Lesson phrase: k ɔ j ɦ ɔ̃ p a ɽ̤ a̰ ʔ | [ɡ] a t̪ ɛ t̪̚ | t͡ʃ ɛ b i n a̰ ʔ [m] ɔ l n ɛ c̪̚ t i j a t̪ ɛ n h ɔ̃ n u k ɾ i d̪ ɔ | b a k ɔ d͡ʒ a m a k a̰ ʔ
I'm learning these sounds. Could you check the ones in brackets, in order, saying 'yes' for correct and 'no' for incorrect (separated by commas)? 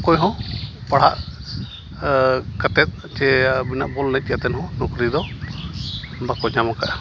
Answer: no, no